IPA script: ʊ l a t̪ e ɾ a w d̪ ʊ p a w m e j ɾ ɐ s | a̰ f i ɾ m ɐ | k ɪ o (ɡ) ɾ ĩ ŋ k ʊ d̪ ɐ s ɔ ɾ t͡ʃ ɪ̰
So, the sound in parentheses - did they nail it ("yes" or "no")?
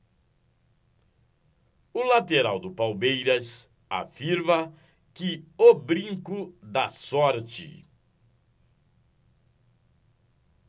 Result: no